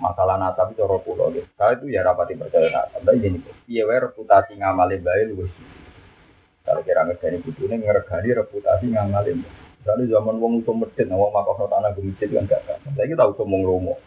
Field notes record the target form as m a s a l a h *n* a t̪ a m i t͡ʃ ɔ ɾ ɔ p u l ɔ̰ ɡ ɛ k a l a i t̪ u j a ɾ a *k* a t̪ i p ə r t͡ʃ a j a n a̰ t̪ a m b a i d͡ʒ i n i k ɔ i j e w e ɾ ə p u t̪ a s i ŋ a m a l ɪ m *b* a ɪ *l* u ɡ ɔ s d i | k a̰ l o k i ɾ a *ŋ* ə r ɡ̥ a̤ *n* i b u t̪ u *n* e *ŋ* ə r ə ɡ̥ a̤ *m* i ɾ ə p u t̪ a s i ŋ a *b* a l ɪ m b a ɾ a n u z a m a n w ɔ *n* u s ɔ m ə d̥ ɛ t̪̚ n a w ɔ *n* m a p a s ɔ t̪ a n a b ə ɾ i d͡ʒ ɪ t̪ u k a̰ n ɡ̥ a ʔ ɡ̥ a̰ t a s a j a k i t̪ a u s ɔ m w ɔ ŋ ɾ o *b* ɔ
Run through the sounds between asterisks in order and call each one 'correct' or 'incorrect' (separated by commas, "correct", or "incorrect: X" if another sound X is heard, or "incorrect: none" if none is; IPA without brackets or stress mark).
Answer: correct, incorrect: p, correct, correct, correct, correct, correct, correct, incorrect: n, incorrect: m, incorrect: ŋ, incorrect: ŋ, incorrect: m